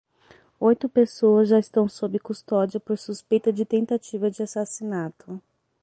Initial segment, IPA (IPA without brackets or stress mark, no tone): o